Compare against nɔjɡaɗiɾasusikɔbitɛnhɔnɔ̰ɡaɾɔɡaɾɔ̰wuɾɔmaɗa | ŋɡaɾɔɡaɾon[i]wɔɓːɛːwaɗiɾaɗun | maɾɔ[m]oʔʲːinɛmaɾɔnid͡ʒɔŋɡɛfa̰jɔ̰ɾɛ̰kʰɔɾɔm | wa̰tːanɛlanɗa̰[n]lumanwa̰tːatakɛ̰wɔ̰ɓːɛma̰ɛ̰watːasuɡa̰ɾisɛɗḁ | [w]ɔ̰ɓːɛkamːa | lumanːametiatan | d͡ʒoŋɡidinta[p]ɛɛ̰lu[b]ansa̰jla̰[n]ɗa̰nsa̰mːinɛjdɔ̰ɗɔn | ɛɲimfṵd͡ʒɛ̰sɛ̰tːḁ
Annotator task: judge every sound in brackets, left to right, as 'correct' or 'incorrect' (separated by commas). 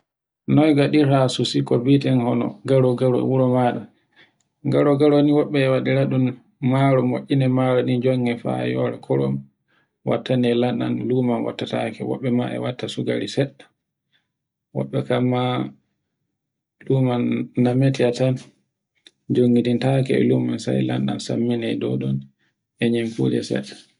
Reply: correct, correct, correct, correct, incorrect, incorrect, correct